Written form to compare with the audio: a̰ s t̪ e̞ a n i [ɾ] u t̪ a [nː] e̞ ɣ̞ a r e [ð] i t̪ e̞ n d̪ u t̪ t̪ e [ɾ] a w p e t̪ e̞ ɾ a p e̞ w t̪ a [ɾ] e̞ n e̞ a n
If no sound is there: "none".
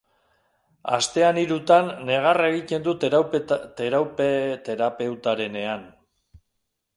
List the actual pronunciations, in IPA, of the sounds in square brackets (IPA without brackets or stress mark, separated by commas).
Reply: ɾ, nː, ɣ, ɾ, ɾ